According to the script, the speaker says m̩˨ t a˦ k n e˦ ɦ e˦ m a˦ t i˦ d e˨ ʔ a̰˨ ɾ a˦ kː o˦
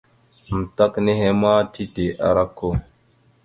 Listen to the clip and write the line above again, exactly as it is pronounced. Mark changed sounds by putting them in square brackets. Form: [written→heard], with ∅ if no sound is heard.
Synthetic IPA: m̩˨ t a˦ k n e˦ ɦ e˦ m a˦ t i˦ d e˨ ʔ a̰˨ ɾ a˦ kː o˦